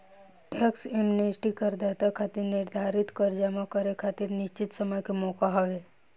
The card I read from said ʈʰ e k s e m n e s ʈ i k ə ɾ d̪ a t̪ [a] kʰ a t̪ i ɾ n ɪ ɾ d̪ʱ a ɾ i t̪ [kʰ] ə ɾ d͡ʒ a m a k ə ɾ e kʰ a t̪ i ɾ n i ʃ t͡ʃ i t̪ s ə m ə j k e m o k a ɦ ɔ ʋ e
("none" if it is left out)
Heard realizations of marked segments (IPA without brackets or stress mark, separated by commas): a, k